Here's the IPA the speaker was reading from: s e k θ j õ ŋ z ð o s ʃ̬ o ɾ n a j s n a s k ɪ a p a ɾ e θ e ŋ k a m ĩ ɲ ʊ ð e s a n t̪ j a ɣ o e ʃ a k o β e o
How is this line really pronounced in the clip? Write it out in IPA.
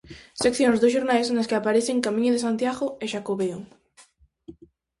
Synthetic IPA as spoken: s e k θ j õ ŋ z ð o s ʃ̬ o ɾ n a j s n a s k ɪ a p a ɾ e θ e ŋ k a m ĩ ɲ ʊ ð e s a n t̪ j a ɣ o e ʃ a k o β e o